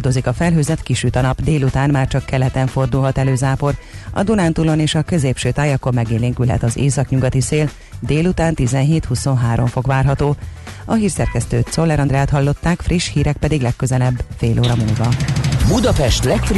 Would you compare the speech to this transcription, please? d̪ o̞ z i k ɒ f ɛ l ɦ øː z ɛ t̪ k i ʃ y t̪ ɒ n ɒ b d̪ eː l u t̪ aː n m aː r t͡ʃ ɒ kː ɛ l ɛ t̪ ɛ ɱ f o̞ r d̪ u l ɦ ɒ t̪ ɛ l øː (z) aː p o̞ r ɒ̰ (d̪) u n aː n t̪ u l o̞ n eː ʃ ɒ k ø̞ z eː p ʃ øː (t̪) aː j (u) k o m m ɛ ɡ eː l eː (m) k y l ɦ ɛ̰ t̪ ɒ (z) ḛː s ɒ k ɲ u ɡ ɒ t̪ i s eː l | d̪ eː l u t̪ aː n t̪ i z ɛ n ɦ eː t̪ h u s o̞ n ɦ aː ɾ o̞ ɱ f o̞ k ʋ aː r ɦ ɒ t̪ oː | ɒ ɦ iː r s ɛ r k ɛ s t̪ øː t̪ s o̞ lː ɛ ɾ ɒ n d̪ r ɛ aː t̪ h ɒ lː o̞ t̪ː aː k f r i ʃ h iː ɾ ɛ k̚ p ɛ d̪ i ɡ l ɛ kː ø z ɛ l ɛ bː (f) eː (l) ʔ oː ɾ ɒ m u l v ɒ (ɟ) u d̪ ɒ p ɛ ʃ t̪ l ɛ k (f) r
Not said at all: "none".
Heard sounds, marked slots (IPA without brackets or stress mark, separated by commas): z, d̪, t̪, ɒ, ŋ, z, f, l, b, f